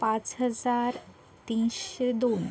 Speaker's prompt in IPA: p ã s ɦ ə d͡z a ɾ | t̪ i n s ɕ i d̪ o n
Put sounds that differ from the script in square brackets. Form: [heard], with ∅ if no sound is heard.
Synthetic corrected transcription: p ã [t͡s] ɦ ə d͡z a ɾ | t̪ i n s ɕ [e] d̪ o n